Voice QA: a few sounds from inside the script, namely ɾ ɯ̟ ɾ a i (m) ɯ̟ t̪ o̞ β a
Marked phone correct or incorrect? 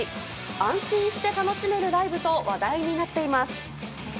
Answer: incorrect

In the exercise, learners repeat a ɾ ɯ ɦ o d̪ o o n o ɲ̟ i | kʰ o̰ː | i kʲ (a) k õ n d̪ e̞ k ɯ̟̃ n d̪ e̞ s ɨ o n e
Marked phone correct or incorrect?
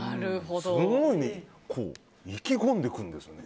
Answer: incorrect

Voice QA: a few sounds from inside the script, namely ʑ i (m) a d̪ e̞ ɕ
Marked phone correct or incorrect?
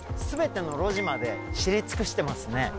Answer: correct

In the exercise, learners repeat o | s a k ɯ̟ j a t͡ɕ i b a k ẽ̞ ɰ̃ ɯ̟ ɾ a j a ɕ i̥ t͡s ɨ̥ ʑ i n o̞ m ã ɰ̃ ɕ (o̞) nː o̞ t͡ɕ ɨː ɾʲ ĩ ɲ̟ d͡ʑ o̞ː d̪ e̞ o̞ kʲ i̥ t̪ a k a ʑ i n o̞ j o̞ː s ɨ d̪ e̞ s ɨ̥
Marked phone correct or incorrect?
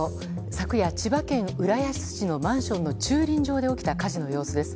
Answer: incorrect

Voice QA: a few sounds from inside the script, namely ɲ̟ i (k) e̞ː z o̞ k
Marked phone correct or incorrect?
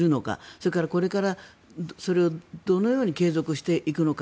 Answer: correct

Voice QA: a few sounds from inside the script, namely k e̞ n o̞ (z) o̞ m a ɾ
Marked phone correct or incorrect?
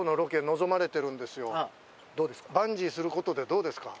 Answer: correct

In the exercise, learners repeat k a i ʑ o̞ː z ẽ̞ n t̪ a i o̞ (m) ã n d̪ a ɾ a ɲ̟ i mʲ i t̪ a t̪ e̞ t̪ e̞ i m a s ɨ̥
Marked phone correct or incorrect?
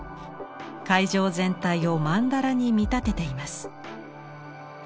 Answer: correct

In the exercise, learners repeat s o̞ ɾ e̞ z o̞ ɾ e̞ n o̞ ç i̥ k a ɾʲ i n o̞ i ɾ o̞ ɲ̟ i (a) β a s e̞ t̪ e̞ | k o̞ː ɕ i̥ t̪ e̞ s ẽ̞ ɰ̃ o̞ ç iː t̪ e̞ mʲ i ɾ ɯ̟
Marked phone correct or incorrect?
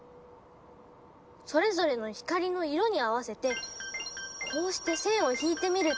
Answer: correct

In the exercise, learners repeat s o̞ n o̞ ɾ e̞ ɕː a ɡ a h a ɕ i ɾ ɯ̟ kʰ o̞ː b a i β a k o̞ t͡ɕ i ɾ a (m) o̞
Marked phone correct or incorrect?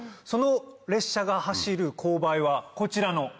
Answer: incorrect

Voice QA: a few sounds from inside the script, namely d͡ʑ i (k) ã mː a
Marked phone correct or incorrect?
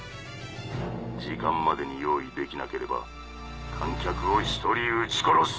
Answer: correct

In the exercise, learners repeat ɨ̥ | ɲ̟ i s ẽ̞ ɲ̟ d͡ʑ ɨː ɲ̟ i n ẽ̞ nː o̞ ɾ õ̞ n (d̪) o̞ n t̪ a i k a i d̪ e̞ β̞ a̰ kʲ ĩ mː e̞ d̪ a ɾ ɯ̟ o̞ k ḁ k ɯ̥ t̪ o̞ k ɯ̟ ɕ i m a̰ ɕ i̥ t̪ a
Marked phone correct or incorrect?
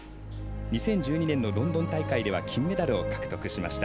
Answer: correct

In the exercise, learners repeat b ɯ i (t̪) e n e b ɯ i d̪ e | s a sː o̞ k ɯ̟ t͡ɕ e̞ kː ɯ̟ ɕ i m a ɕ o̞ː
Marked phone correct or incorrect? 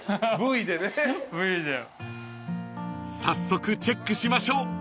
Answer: incorrect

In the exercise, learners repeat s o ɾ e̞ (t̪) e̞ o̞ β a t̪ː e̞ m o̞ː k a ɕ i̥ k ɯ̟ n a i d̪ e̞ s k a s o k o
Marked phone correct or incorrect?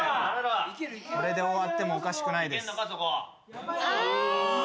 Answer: incorrect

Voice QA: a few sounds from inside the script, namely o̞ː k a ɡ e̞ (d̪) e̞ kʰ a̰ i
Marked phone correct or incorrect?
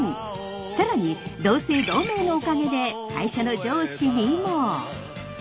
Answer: correct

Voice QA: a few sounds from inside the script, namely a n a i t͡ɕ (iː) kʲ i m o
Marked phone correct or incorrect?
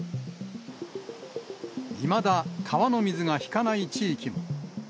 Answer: correct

